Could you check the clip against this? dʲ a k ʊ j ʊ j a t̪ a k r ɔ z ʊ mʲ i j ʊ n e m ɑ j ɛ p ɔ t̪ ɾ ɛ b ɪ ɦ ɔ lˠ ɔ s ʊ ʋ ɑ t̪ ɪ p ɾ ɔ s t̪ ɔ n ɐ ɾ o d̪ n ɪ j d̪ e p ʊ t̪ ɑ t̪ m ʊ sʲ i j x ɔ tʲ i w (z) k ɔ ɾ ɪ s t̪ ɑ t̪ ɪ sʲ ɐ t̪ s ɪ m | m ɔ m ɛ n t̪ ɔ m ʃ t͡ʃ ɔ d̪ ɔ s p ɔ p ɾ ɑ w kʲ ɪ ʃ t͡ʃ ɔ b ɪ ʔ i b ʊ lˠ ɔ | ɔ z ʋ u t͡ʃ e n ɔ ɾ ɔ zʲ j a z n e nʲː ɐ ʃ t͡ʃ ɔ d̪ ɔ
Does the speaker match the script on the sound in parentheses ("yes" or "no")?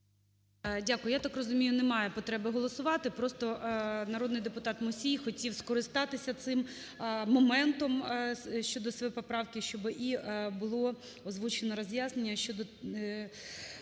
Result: no